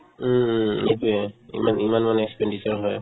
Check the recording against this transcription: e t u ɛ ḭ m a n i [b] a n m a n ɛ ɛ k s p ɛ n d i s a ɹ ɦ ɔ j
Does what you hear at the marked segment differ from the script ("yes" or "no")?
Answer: yes